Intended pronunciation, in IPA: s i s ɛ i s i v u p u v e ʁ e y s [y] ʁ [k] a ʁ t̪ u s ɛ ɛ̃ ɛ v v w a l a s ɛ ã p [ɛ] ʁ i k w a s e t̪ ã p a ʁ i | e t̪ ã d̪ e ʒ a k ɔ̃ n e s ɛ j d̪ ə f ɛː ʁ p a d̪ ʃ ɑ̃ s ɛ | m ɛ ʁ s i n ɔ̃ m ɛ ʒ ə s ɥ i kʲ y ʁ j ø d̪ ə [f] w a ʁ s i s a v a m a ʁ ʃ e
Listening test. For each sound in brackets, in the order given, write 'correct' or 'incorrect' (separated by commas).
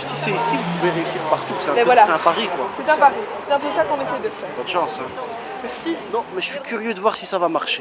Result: incorrect, incorrect, incorrect, incorrect